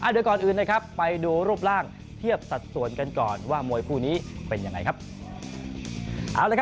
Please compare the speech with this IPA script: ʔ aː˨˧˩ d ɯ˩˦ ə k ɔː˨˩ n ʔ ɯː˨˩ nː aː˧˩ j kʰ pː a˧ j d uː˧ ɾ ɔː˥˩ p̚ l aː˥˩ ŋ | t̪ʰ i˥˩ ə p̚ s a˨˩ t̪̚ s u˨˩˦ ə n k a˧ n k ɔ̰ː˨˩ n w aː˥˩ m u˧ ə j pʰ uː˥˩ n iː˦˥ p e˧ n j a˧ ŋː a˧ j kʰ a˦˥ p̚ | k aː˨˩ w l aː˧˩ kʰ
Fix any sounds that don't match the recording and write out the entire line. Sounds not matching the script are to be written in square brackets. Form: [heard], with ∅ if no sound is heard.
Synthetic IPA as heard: ʔ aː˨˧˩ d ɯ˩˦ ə k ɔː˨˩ n ʔ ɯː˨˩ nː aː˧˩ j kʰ pː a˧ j d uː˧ ɾ [uː˥˩] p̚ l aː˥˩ ŋ | t̪ʰ i˥˩ ə p̚ s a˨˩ t̪̚ s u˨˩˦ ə n k a˧ n k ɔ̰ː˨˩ n w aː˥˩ m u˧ ə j pʰ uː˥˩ n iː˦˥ p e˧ n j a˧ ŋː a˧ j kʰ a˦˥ p̚ | [ʔ] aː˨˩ w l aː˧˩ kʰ

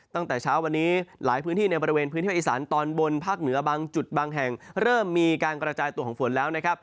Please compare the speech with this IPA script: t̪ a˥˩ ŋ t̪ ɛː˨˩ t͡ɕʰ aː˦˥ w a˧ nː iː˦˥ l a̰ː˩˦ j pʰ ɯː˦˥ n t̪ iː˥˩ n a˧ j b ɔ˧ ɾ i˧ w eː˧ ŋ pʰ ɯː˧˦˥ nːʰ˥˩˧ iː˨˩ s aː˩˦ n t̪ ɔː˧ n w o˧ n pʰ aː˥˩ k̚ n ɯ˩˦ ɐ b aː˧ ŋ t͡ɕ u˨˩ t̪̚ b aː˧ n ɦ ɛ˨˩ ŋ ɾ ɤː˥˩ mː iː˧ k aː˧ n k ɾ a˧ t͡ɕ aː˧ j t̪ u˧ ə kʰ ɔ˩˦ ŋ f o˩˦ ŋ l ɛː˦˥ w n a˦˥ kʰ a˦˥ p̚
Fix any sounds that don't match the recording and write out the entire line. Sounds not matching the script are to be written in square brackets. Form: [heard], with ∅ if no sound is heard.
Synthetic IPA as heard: t̪ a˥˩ ŋ t̪ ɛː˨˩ t͡ɕʰ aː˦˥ w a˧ nː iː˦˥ l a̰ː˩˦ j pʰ ɯː˦˥ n t̪ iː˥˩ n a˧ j b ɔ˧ ɾ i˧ w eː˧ [n] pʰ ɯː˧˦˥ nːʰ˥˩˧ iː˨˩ s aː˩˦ n t̪ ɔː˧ n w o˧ n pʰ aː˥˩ k̚ n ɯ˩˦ ɐ b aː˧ ŋ t͡ɕ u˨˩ t̪̚ b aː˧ [ŋ] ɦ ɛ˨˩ ŋ ɾ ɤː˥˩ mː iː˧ k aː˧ n k ɾ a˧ t͡ɕ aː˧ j t̪ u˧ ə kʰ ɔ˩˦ ŋ f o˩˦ [n] l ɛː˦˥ w n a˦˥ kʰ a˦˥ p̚

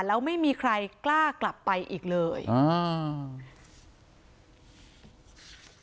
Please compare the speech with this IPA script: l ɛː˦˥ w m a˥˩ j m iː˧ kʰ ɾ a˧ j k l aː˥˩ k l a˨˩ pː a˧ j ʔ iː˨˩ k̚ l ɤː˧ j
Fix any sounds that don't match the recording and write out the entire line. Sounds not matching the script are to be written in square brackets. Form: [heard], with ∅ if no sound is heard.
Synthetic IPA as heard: l ɛː˦˥ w m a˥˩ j m iː˧ kʰ ɾ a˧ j k l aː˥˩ k l a˨˩ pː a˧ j ʔ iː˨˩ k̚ l ɤː˧ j

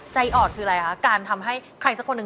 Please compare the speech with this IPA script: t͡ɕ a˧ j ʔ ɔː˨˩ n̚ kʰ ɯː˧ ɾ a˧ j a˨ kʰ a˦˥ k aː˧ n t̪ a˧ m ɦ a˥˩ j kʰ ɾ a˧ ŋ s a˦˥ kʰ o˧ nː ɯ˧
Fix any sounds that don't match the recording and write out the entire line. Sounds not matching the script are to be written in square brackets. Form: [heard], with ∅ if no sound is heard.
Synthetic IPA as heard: t͡ɕ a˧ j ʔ ɔː˨˩ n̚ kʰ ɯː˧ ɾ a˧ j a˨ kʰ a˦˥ k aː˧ n [t̪ʰ] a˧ m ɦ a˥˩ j kʰ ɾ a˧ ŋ s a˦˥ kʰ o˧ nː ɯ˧

